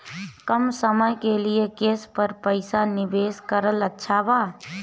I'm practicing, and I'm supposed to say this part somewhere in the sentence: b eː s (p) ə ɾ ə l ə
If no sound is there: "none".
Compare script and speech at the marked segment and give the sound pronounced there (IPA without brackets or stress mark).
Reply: k